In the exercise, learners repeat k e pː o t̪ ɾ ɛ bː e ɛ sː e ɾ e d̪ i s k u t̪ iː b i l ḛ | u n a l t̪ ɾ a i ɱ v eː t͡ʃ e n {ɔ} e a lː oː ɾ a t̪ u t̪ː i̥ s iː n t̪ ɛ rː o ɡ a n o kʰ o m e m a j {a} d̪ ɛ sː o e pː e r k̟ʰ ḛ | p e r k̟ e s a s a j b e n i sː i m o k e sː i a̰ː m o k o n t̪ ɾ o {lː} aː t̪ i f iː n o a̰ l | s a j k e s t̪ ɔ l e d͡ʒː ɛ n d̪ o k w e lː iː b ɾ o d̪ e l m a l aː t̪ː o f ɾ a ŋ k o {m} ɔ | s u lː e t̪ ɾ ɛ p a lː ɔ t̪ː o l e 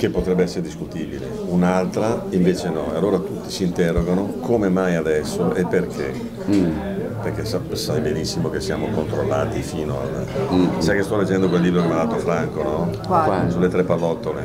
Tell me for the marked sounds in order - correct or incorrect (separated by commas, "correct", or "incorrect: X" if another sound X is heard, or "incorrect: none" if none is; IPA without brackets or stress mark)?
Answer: correct, correct, correct, incorrect: n